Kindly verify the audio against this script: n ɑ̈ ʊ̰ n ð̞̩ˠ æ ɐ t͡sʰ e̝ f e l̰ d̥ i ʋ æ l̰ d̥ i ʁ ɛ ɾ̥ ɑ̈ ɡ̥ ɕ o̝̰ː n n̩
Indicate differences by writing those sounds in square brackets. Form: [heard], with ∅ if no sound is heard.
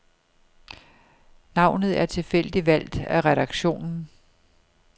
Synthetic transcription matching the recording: n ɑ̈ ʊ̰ n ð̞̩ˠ æ ɐ t͡sʰ e̝ f e l̰ d̥ i ʋ æ l̰ d̥ [æ] ʁ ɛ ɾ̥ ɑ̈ ɡ̥ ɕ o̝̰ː n n̩